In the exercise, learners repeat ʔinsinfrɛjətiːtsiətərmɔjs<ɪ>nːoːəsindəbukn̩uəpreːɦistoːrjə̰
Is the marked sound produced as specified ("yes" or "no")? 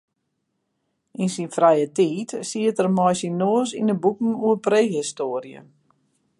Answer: no